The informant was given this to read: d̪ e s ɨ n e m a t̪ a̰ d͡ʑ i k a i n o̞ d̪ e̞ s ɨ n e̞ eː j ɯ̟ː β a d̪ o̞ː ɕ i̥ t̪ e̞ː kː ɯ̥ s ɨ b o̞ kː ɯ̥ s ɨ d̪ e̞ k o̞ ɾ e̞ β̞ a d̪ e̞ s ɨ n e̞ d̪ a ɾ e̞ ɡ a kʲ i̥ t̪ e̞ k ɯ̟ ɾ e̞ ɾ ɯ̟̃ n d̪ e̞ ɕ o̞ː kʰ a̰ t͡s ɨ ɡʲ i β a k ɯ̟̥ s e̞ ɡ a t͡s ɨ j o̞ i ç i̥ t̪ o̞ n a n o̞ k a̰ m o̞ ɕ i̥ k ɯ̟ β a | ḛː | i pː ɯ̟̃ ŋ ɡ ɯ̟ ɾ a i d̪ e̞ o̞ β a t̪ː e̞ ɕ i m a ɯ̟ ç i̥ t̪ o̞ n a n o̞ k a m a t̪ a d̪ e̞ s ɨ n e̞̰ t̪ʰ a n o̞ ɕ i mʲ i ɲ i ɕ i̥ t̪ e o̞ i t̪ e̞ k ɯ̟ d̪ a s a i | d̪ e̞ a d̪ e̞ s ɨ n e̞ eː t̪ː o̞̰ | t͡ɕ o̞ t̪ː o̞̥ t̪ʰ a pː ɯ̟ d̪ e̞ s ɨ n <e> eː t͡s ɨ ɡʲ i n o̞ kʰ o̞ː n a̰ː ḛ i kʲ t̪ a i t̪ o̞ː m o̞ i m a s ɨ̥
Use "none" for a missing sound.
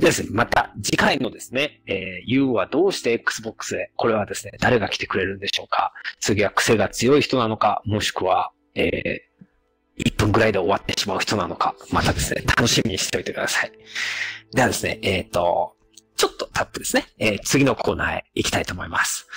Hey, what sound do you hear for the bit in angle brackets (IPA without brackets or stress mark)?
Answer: e